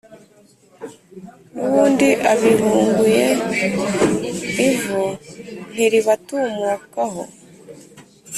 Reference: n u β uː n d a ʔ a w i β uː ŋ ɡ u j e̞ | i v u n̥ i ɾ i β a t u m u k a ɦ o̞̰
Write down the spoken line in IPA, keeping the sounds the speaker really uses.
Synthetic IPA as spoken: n u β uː n d i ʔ a β i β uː ŋ ɡ u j e̞ | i v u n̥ i ɾ i β a t u m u k a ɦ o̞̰